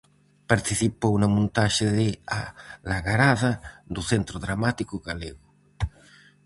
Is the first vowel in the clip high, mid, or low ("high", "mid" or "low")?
low